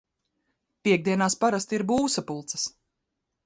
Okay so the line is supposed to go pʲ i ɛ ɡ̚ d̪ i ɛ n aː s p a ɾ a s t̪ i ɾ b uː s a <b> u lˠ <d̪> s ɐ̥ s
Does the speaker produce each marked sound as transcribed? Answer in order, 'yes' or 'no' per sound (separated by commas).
no, no